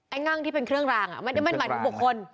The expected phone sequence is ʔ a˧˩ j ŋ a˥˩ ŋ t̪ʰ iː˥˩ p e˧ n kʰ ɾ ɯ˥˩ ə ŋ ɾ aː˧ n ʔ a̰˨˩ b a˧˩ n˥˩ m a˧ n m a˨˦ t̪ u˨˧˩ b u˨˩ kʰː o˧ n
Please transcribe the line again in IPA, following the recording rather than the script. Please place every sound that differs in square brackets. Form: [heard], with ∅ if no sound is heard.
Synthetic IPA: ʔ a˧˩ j ŋ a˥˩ ŋ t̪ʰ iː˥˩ p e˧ n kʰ ɾ ɯ˥˩ ə ŋ ɾ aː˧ [ŋ] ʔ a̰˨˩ [m] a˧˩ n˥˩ m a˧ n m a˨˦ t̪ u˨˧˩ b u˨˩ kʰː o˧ n